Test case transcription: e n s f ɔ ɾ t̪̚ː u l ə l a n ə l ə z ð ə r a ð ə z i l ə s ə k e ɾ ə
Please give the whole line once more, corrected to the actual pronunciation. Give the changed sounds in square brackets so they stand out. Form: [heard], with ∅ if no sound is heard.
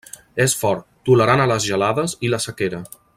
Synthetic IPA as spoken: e [∅] s f ɔ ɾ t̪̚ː u l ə [ɾ] a n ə l ə z [ʒ] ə [l] a ð ə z i l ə s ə k e ɾ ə